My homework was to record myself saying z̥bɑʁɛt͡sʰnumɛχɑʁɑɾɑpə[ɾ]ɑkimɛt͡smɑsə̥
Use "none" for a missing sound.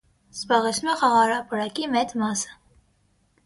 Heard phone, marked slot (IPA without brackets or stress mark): ɾ